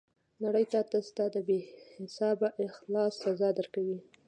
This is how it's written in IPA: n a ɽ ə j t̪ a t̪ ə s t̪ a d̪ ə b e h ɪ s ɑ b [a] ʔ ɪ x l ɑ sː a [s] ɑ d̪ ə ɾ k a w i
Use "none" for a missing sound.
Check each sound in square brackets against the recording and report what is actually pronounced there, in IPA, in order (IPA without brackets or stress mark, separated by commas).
a, z